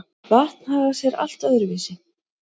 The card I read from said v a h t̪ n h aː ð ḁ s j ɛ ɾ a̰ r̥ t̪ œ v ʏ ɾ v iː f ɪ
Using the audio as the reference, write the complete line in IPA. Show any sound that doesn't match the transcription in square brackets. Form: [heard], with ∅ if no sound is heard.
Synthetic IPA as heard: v a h t̪ n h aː [ɣ] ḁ s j ɛ ɾ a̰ [l̥] t̪ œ [ð] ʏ ɾ v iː [s] ɪ